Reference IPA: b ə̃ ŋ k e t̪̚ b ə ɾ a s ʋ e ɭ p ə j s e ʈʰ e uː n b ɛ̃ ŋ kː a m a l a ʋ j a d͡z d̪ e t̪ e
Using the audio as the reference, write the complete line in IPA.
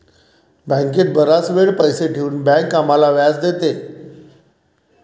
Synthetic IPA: b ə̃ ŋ k e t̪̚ b ə ɾ a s ʋ e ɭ p ə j s e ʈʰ e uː n b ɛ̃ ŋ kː a m a l a ʋ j a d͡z d̪ e t̪ e